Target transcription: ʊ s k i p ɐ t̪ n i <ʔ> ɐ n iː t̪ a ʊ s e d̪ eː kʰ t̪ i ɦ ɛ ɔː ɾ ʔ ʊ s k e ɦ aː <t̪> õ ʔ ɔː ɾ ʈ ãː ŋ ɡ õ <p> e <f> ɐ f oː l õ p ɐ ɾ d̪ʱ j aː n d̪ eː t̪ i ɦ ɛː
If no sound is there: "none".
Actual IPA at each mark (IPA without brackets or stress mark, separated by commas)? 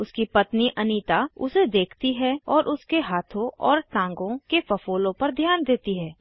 ʔ, t̪ʰ, k, f